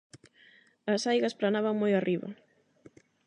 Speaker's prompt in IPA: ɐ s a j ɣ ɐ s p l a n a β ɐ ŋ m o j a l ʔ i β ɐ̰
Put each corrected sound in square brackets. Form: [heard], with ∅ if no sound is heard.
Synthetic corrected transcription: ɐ s a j ɣ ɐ s p l a n a β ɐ ŋ m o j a [r] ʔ i β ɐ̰

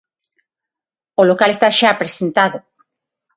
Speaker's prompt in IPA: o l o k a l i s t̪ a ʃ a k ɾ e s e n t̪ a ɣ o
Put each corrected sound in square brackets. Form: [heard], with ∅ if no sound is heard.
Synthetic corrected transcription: o l o k a l [e] s t̪ a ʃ a [p] ɾ e s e n t̪ a [ð] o

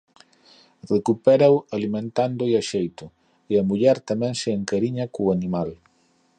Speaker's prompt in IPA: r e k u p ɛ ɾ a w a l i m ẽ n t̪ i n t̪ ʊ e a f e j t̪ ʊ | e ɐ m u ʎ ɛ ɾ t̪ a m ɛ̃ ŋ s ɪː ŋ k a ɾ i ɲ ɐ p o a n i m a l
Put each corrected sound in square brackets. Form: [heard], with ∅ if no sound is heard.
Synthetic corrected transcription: r e k u p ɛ ɾ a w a l i m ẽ n t̪ [a] n [d̪] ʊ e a [ʃ] e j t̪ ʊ | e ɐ m u ʎ ɛ ɾ t̪ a m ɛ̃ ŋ s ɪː ŋ k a ɾ i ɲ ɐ [k] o a n i m a l

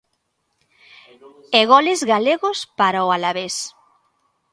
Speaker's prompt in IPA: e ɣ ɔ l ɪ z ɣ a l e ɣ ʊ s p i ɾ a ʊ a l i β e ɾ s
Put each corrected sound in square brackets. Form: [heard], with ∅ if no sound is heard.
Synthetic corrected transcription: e ɣ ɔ l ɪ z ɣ a l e ɣ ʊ s p [a] ɾ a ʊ a l [a] β e [∅] s

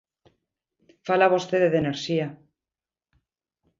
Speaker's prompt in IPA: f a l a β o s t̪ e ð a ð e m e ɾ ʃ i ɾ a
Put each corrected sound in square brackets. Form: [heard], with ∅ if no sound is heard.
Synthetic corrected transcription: f a l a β o s t̪ e ð [e] ð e [n] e ɾ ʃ i [∅] a

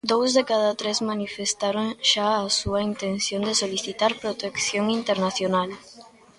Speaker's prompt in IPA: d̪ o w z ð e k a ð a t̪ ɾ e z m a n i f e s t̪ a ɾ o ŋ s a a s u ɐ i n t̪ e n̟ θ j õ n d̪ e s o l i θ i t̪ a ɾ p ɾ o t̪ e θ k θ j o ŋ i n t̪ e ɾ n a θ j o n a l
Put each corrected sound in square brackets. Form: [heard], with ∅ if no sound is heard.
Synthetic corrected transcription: d̪ o w z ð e k a ð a t̪ ɾ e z m a n i f e s t̪ a ɾ o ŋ [ʃ] a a s u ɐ i n t̪ e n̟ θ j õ n d̪ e s o l i θ i t̪ a ɾ p ɾ o t̪ e [∅] k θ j o ŋ i n t̪ e ɾ n a θ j o n a l

